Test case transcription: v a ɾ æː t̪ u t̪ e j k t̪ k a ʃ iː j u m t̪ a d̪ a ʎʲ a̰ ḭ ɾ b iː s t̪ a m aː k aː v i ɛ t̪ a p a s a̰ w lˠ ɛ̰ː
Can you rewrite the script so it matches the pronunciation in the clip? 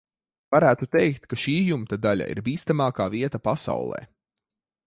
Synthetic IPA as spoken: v a ɾ æː t̪ u t̪ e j k t̪ k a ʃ iː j u m t̪ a d̪ a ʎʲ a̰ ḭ ɾ b iː s t̪ a m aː k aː v i ɛ t̪ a p a s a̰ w lˠ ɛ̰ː